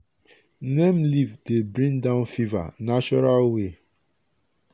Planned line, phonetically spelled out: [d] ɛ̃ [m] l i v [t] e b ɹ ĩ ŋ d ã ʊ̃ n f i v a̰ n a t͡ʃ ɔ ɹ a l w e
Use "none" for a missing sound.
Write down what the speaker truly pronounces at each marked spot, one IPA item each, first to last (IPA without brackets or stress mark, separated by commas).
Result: n, m, d